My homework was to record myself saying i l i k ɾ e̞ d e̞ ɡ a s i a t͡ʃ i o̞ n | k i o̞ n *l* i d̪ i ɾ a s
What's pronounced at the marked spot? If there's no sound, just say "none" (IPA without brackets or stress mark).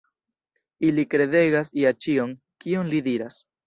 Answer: l